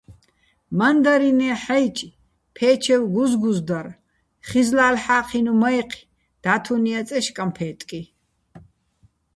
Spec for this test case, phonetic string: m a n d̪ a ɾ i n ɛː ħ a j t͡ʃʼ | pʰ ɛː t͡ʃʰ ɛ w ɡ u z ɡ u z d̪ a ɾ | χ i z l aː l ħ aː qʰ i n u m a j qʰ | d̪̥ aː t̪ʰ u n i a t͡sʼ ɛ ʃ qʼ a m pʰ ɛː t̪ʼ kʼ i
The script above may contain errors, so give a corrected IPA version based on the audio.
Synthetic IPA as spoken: m a n d̪ a ɾ i n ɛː ħ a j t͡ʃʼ | pʰ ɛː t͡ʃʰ ɛ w ɡ u z ɡ u z d̪ a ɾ | χ i z l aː l ħ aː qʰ i n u m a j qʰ | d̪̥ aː t̪ʰ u n i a t͡sʼ ɛ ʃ kʼ a m pʰ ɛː t̪ʼ kʼ i

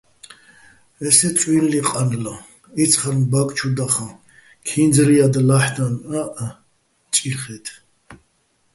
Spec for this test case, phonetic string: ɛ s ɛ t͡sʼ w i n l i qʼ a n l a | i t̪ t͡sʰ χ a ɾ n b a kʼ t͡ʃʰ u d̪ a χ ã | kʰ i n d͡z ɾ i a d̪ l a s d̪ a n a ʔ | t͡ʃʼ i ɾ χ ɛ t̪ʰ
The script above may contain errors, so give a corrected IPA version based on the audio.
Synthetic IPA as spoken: ɛ s ɛ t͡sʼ w i n l i qʼ a n l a | i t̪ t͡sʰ χ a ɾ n b a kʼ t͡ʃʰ u d̪ a χ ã | kʰ i n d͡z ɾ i a d̪ l a ħ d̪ a n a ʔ | t͡ʃʼ i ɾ χ ɛ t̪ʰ

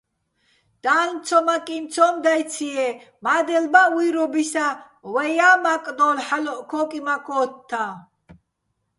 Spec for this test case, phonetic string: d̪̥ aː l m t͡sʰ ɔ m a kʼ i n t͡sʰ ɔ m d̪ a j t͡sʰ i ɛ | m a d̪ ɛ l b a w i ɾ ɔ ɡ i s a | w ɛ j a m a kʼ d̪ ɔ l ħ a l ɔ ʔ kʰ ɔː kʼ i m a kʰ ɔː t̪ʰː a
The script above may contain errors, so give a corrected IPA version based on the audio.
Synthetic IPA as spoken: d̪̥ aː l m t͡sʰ ɔ m a kʼ i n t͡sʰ ɔ m d̪ a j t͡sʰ i ɛ | m a d̪ ɛ l b a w i ɾ ɔ b i s a | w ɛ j a m a kʼ d̪ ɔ l ħ a l ɔ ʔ kʰ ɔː kʼ i m a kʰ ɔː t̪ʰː a

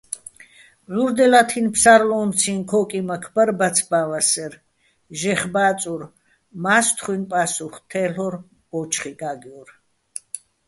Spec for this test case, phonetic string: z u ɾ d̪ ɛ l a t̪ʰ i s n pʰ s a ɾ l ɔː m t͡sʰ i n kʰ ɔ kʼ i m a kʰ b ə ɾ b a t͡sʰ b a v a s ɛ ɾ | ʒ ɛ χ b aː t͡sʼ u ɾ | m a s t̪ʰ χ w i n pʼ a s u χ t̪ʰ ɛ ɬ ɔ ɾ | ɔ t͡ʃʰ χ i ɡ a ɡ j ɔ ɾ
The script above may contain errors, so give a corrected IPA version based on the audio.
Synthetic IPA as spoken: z u ɾ d̪ ɛ l a t̪ʰ i n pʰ s a ɾ l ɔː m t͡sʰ i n kʰ ɔ kʼ i m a kʰ b ə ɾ b a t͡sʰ b a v a s ɛ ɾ | ʒ ɛ χ b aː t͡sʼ u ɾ | m a s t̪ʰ χ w i n pʼ a s u χ t̪ʰ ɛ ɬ ɔ ɾ | ɔ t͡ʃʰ χ i ɡ a ɡ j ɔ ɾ

